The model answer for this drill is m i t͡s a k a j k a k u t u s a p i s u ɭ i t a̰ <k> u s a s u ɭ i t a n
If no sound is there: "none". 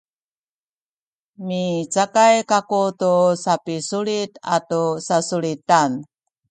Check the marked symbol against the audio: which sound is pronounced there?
t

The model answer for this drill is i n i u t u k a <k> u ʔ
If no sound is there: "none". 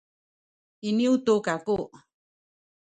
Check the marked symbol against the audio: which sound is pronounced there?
k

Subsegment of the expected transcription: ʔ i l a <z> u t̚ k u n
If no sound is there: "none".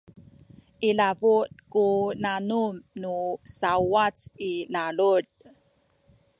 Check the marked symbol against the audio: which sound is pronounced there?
v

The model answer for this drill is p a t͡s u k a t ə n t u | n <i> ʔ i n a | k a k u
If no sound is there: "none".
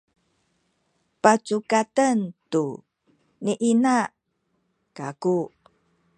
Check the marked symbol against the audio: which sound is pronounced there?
i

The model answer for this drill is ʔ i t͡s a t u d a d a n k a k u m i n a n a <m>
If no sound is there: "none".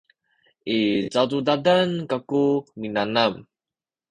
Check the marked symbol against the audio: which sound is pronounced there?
m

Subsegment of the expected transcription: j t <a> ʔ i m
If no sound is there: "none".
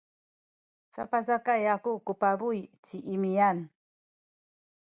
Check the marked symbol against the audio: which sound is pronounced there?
i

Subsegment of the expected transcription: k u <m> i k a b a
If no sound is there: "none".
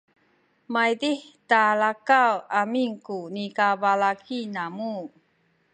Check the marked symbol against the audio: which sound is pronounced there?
n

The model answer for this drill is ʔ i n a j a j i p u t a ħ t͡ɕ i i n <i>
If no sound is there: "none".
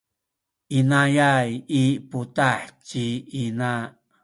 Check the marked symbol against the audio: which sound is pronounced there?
a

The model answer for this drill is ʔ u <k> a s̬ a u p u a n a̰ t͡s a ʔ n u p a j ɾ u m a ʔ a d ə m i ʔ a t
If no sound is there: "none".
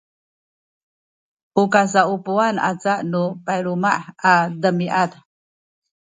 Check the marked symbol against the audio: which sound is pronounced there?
k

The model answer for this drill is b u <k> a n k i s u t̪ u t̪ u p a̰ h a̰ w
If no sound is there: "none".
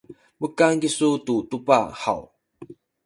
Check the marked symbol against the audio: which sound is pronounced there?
k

